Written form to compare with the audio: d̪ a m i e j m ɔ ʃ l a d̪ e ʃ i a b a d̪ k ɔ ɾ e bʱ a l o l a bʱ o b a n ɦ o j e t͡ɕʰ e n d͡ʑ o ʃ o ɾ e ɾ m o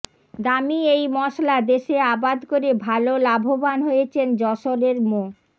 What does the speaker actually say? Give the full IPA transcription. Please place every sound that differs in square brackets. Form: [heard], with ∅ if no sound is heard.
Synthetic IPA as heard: d̪ a m i e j m ɔ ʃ l a d̪ e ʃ [e] a b a d̪ k [o] ɾ e bʱ a l o l a bʱ o b a n ɦ o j e t͡ɕʰ e n d͡ʑ [ɔ] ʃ o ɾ e ɾ m o

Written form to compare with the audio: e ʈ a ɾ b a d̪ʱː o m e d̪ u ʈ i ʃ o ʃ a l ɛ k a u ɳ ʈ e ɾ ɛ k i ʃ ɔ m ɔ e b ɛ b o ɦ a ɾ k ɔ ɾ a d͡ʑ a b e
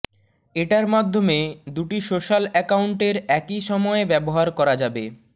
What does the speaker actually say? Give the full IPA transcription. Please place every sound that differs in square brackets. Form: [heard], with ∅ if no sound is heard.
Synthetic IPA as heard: e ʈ a ɾ [m] a d̪ʱː o m e d̪ u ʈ i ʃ o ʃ a l ɛ k a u ɳ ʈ e ɾ ɛ k i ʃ ɔ m ɔ e b ɛ b o ɦ a ɾ k ɔ ɾ a d͡ʑ a b e

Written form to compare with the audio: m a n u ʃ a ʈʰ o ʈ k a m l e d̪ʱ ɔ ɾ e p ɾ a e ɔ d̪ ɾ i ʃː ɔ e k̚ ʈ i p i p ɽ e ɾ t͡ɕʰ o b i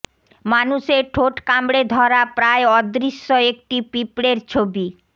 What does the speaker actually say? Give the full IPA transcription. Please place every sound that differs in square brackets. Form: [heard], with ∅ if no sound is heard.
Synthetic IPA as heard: m a n u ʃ [e] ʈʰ o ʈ k a m [ɽ] e d̪ʱ ɔ ɾ [a] p ɾ a e ɔ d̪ ɾ i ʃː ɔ e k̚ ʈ i p i p ɽ e ɾ t͡ɕʰ o b i

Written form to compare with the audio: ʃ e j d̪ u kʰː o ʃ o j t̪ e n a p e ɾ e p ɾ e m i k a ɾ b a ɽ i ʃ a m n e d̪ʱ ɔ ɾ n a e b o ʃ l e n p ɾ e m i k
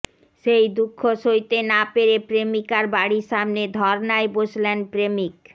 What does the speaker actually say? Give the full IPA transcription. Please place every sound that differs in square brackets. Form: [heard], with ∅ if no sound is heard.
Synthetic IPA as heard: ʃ e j d̪ u kʰː o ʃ o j t̪ e n a p e ɾ e p ɾ e m i k a ɾ b a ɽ i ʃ a m n e d̪ʱ ɔ ɾ n a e b o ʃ l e n p ɾ e m i k

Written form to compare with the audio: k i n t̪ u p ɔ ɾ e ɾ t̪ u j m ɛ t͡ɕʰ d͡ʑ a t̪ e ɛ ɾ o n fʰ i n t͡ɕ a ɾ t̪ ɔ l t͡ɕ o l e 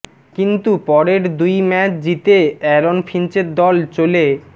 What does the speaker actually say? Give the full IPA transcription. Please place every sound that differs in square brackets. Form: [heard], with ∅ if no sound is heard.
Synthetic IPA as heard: k i n t̪ u p ɔ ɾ e ɾ [d̪] u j m ɛ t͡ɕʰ d͡ʑ [i] t̪ e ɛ ɾ o n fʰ i n t͡ɕ [e] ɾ [d̪] ɔ l t͡ɕ o l e

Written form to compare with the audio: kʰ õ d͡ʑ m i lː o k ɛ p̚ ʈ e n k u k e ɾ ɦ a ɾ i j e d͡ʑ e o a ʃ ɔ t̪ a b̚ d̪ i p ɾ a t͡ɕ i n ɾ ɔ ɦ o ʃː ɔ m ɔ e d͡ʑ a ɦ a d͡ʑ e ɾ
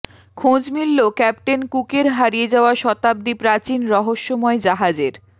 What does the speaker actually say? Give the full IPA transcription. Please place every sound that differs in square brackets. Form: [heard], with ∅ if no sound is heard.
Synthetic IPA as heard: kʰ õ d͡ʑ m i lː o k ɛ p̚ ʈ e n k u k e ɾ ɦ a ɾ i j e d͡ʑ [a] o a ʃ ɔ t̪ a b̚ d̪ i p ɾ a t͡ɕ i n ɾ ɔ ɦ o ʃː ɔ m ɔ e d͡ʑ a ɦ a d͡ʑ e ɾ

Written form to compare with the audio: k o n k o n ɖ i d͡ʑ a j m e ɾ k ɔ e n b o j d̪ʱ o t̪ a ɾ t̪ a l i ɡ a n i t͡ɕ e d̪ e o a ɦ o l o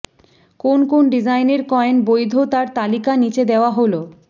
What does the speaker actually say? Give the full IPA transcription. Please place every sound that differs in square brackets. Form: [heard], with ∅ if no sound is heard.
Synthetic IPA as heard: k o n k o n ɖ i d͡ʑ a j [n] e ɾ k ɔ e n b o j d̪ʱ o t̪ a ɾ t̪ a l i [k] a n i t͡ɕ e d̪ e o a ɦ o l o

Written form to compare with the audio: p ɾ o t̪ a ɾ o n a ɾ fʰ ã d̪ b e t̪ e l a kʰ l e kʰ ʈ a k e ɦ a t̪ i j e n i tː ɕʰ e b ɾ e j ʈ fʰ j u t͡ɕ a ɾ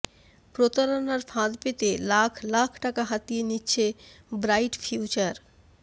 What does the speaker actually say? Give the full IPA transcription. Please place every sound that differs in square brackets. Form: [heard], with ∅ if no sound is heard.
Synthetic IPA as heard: p ɾ o t̪ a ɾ o n a ɾ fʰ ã d̪ [p] e t̪ e l a kʰ l [a] kʰ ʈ a k [a] ɦ a t̪ i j e n i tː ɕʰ e b ɾ [a] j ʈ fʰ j u t͡ɕ a ɾ

